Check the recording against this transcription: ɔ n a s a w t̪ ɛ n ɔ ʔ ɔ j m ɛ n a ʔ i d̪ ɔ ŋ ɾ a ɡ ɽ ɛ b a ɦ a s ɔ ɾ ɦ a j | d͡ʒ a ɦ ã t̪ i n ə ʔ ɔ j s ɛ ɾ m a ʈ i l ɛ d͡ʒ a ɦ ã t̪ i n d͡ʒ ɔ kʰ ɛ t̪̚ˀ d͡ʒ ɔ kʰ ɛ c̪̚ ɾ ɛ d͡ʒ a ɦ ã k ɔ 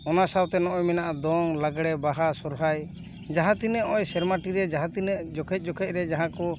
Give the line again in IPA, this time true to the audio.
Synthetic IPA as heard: ɔ n a s a w t̪ ɛ n ɔ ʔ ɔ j m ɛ n a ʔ a d̪ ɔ ŋ l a ɡ ɽ ɛ b a ɦ a s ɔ ɾ ɦ a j | d͡ʒ a ɦ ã t̪ i n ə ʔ ɔ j s ɛ ɾ m a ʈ i ɾ ɛ d͡ʒ a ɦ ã t̪ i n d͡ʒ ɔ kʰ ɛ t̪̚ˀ d͡ʒ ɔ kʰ ɛ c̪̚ ɾ ɛ d͡ʒ a ɦ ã k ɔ